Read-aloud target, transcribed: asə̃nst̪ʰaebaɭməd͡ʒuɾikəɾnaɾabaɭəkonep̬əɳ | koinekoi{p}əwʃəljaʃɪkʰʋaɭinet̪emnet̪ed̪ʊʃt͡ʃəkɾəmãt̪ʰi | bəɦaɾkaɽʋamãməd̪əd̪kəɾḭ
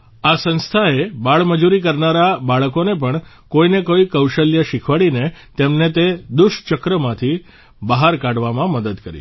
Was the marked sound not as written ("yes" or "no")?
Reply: yes